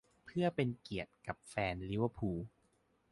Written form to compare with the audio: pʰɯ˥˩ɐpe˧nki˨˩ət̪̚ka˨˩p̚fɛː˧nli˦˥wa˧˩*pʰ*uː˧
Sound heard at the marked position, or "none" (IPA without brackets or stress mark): pʰ